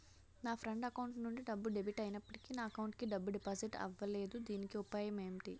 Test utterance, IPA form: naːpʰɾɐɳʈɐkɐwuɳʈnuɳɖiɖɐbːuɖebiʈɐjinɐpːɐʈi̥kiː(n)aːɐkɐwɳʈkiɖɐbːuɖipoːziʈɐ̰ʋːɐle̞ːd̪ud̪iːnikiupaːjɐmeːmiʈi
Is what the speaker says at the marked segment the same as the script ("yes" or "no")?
yes